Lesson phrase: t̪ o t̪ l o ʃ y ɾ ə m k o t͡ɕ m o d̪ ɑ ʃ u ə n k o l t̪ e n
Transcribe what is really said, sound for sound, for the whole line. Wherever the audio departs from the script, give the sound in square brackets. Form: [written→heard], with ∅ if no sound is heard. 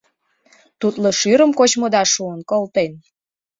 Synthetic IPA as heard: t̪ [o→u] t̪ l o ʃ y ɾ ə m k o t͡ɕ m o d̪ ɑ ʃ u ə n k o l t̪ e n